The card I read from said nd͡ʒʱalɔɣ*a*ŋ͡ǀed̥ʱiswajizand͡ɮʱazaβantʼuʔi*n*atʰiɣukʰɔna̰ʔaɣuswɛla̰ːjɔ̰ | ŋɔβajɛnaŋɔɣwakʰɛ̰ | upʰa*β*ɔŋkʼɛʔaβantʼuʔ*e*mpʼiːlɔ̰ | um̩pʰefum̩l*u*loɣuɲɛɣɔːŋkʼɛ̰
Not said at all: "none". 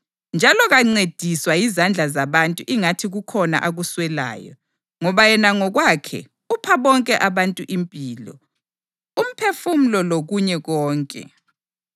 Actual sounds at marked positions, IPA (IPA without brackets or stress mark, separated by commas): a, ŋ, β, i, ɔ